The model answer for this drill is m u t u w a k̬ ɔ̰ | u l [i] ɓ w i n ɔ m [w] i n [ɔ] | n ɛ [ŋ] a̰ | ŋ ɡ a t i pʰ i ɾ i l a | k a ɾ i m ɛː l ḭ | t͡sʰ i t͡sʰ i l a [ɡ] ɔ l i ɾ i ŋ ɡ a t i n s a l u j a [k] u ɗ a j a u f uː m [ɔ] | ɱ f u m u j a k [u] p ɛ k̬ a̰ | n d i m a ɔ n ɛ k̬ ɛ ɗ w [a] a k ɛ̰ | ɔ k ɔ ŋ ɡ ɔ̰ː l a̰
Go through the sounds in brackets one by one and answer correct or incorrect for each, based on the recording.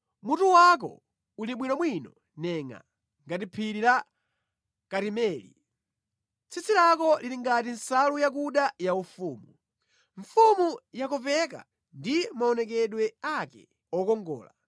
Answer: correct, correct, correct, correct, incorrect: k, correct, incorrect: u, incorrect: ɔ, incorrect: ɛ

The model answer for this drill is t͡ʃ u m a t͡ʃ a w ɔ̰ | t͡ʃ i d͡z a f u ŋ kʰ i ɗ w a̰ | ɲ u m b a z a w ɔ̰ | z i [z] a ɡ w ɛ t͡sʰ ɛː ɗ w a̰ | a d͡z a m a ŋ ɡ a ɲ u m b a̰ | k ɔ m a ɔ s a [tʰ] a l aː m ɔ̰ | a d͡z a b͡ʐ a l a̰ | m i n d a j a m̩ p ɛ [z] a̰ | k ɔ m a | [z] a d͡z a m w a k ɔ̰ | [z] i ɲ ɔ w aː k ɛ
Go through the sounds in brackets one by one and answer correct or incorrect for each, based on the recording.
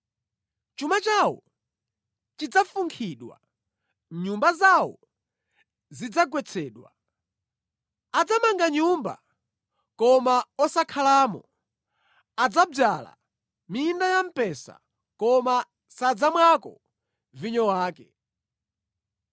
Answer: incorrect: d͡z, incorrect: kʰ, incorrect: s, incorrect: s, incorrect: v

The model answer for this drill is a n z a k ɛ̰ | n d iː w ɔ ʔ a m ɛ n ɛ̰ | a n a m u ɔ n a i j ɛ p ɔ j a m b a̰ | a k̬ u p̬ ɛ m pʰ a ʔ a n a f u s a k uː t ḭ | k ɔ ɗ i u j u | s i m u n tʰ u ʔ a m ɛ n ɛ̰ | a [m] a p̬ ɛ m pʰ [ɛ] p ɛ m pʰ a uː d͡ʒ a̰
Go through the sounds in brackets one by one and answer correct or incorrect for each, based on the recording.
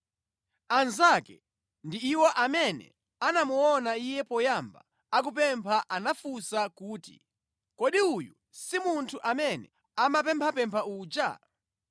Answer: correct, incorrect: a

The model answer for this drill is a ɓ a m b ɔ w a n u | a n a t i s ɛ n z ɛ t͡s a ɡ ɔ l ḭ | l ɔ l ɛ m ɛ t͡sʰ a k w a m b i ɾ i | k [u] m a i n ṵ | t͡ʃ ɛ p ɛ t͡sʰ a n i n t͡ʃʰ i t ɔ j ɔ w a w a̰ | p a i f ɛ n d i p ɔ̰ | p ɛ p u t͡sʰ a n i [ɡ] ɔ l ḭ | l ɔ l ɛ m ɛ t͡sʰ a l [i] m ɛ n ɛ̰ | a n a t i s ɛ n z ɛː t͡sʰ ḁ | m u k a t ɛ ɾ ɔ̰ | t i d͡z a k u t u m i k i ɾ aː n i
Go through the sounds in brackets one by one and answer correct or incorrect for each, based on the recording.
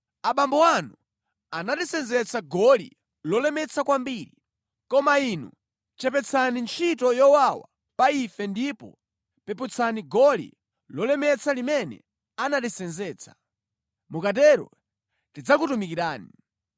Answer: incorrect: ɔ, correct, correct

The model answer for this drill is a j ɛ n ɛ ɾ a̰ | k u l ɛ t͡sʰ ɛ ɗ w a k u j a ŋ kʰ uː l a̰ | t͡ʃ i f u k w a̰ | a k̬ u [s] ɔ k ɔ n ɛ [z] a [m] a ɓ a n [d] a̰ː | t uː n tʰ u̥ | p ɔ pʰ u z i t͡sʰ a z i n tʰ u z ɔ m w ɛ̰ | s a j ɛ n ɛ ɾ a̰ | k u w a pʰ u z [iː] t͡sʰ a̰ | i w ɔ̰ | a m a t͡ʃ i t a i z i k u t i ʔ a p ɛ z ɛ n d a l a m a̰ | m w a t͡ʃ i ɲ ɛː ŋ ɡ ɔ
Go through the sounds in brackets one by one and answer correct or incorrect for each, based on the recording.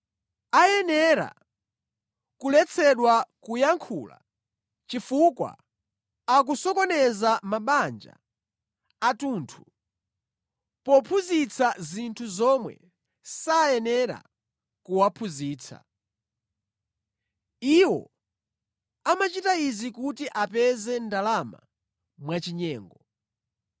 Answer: correct, correct, correct, incorrect: d͡ʒ, correct

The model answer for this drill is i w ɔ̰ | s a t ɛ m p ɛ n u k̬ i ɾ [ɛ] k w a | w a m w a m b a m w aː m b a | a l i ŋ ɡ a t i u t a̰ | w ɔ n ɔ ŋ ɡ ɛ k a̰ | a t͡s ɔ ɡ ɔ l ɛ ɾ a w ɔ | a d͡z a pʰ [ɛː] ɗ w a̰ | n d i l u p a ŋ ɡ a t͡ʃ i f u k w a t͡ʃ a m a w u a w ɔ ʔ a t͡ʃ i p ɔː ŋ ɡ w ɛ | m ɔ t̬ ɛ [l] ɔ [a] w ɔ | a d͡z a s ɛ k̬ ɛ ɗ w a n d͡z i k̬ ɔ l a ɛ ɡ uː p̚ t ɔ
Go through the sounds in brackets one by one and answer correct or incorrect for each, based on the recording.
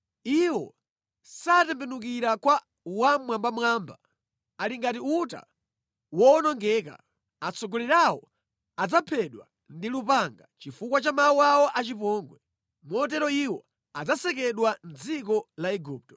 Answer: incorrect: a, incorrect: ɛ, incorrect: ɾ, incorrect: i

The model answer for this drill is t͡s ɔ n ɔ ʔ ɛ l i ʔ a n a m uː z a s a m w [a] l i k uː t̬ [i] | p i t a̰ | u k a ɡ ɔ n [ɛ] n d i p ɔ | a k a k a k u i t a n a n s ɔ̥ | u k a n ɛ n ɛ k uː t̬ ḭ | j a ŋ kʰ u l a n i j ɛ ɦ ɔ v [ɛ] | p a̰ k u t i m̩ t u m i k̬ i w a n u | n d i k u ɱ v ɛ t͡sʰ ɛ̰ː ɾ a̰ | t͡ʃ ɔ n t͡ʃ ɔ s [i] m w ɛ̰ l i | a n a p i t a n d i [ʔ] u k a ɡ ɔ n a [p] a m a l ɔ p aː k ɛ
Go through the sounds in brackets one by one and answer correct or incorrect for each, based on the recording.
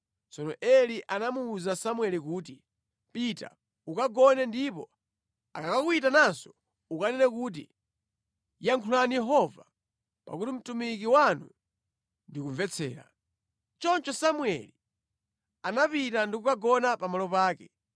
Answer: incorrect: ɛ, correct, correct, incorrect: a, incorrect: a, incorrect: k, correct

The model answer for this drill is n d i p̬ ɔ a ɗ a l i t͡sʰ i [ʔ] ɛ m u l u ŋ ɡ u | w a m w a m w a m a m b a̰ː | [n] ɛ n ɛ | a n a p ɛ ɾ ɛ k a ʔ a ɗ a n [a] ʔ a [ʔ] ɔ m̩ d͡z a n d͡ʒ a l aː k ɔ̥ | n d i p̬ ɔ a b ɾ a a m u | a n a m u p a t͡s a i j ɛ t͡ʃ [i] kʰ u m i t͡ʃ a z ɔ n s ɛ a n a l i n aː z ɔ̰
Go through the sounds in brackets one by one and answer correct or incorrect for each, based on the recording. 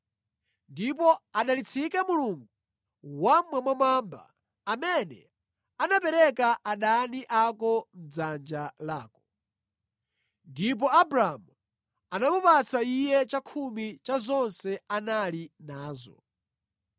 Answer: incorrect: k, incorrect: m, incorrect: i, incorrect: k, incorrect: a

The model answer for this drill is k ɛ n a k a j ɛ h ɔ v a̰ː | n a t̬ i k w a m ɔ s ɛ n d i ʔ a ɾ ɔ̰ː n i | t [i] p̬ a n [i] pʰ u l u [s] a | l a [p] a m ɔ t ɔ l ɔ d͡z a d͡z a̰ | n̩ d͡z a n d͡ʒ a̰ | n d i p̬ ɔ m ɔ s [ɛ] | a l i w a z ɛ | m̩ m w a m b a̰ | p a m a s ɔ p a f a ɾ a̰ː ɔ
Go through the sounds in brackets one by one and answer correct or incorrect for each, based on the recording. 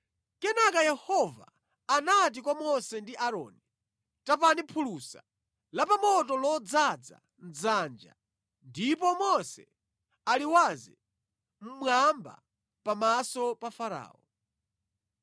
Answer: incorrect: a, correct, correct, correct, correct

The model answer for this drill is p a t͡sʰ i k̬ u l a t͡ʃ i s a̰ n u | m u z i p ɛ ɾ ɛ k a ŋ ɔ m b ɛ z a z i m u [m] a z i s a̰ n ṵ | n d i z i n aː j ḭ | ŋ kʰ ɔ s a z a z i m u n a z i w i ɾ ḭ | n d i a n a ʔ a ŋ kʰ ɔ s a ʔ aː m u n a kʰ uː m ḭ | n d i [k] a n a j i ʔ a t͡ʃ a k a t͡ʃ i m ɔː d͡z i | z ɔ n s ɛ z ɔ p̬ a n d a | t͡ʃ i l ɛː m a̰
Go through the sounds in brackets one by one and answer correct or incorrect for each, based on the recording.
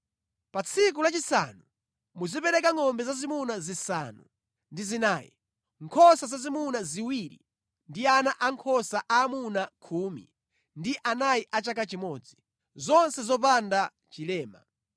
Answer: incorrect: n, incorrect: ʔ

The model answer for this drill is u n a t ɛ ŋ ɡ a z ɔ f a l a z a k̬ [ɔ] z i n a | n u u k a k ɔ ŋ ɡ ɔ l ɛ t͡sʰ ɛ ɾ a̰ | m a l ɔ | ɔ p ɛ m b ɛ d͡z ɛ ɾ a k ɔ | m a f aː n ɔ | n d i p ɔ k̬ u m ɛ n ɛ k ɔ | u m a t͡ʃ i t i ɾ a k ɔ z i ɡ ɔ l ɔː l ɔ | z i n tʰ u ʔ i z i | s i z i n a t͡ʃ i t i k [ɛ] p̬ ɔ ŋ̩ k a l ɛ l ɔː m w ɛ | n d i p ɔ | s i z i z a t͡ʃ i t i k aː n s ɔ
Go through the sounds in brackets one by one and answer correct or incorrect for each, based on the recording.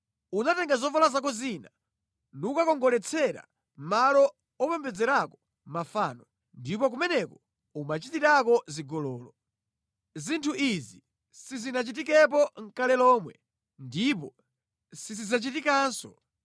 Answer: correct, correct

